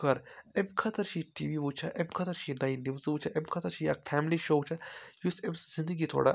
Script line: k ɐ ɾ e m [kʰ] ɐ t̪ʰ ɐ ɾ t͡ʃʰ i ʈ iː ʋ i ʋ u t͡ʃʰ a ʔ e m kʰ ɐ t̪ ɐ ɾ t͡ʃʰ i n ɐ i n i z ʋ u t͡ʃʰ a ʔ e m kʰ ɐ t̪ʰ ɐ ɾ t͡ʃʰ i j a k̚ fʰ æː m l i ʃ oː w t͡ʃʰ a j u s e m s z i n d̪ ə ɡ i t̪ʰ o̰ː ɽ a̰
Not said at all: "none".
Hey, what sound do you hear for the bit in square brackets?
kʰ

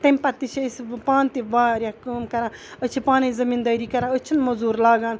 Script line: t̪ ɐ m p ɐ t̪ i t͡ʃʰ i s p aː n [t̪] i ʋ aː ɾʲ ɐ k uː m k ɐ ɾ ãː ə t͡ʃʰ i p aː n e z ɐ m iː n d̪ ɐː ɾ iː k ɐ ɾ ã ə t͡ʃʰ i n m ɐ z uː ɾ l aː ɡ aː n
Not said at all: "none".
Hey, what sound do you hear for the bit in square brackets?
t̪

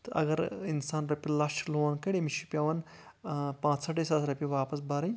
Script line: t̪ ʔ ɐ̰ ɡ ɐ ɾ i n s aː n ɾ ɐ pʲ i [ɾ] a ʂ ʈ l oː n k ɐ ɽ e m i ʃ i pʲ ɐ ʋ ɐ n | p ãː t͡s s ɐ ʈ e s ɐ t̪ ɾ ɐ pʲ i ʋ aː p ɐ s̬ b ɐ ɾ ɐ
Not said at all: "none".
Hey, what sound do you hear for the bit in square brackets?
l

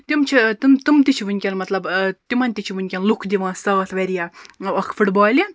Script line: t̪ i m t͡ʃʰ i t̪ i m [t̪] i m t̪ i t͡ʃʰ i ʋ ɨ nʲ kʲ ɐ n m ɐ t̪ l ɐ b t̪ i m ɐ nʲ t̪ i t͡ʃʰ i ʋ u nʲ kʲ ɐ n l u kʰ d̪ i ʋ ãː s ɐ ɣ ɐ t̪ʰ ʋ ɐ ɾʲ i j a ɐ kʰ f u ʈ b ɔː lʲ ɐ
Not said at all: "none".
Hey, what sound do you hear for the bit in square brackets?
t̪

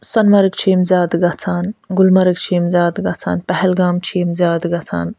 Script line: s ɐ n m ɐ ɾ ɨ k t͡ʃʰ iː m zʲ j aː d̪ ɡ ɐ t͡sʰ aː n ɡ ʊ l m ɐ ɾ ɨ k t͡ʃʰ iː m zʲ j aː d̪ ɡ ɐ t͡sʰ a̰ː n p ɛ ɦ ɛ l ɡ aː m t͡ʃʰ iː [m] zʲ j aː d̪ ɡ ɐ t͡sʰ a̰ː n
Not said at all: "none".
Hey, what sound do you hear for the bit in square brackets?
m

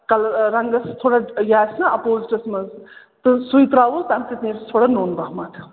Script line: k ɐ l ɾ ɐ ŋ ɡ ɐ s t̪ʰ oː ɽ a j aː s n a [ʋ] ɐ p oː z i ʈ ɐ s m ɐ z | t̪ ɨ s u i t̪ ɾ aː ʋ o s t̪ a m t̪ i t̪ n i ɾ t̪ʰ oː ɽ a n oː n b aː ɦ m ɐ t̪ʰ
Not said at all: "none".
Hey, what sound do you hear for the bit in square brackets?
none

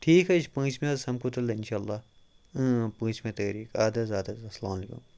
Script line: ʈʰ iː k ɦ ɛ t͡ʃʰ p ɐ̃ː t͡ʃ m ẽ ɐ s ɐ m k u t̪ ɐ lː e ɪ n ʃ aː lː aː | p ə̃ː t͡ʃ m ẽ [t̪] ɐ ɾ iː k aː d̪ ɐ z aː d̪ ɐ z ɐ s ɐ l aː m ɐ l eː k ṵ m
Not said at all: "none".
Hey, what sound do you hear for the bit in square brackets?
t̪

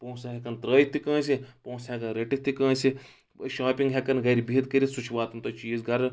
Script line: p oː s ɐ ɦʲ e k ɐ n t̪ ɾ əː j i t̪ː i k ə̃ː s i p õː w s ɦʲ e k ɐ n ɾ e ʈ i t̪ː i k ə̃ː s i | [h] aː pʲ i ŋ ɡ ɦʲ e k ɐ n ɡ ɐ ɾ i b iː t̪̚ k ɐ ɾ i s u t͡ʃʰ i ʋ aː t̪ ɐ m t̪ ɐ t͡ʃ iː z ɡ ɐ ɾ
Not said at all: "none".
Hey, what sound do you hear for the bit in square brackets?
ʃ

